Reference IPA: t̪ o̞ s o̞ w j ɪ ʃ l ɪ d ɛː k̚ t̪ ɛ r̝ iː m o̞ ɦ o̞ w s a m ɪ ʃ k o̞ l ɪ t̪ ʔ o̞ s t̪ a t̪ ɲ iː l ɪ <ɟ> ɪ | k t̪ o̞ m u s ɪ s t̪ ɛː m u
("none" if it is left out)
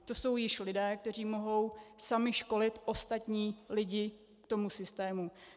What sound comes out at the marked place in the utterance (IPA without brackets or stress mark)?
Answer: ɟ